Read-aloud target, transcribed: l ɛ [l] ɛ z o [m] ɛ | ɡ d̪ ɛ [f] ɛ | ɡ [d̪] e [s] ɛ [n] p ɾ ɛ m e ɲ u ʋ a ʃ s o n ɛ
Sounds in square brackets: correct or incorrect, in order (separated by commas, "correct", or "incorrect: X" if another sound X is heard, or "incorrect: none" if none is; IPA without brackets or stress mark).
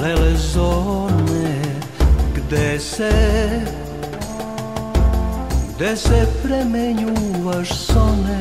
correct, incorrect: n, incorrect: s, correct, correct, incorrect: none